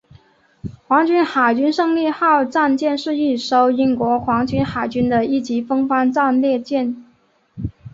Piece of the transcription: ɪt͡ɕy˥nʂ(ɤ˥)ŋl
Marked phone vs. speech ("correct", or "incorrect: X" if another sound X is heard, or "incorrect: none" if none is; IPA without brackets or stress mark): incorrect: ɤ˥˧